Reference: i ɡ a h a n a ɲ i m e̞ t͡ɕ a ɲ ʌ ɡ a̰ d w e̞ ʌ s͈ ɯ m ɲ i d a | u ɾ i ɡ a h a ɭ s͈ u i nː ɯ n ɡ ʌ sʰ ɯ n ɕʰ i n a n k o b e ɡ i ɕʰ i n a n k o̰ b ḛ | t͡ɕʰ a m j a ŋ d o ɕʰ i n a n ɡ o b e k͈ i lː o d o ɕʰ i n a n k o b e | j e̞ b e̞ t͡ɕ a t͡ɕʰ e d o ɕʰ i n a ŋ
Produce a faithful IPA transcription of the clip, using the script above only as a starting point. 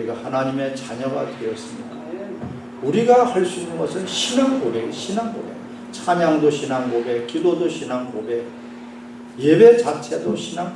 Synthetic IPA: i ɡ a h a n a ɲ i m e̞ t͡ɕ a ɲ ʌ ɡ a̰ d w e̞ ʌ s͈ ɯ m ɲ i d a | u ɾ i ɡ a h a ɭ s͈ u i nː ɯ n ɡ ʌ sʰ ɯ n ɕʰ i n a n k o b e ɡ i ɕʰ i n a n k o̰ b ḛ | t͡ɕʰ a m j a ŋ d o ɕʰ i n a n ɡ o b e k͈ i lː o d o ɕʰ i n a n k o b e | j e̞ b e̞ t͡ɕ a t͡ɕʰ e d o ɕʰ i n a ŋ